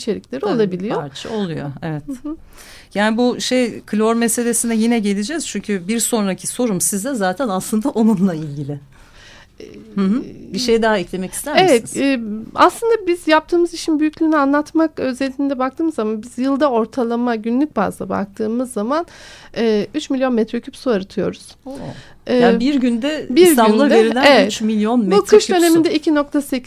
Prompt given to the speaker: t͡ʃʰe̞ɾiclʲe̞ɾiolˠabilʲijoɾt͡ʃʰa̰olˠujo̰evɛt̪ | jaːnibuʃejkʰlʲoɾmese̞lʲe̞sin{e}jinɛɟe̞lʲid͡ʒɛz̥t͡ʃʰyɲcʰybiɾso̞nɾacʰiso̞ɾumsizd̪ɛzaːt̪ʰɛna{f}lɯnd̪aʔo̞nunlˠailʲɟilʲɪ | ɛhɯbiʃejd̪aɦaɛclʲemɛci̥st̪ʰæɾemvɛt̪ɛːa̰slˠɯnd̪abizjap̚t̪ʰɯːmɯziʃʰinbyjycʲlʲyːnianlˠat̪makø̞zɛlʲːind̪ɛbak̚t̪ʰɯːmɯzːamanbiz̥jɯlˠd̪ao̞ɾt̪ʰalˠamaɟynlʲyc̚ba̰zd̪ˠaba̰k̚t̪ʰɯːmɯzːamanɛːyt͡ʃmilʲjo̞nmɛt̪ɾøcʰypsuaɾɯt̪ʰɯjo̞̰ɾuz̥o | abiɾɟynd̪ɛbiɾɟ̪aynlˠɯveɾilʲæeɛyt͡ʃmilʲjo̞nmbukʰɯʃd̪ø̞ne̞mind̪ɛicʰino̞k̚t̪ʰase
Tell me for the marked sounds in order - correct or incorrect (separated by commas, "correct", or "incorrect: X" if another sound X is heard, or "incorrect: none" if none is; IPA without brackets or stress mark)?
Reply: incorrect: ɛ, incorrect: s